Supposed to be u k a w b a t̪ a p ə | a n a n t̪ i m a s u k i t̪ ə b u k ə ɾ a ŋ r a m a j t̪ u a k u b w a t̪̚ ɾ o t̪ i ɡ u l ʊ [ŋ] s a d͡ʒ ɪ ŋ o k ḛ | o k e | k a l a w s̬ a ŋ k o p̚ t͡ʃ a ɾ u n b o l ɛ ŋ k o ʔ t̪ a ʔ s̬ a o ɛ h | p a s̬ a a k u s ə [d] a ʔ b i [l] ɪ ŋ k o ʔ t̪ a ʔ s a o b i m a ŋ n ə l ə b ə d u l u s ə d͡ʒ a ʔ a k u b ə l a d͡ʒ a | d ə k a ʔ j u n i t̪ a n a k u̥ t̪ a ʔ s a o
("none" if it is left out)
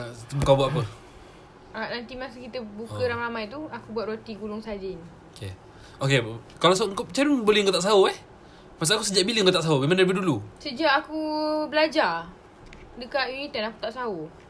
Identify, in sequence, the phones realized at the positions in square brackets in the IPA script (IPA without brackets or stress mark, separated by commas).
ŋ, d͡ʒ, l